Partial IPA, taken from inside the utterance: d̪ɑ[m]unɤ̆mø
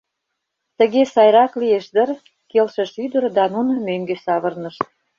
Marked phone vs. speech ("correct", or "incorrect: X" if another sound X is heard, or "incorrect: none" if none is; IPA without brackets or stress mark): incorrect: n